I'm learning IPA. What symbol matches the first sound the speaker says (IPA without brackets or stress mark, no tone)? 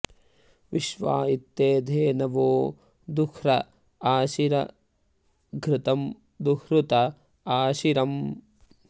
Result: ʋ